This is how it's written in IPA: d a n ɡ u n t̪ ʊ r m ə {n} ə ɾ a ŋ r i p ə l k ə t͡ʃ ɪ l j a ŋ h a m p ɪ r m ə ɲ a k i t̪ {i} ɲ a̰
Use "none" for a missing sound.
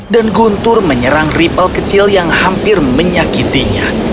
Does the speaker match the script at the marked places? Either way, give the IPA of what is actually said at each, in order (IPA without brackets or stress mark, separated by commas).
ɲ, i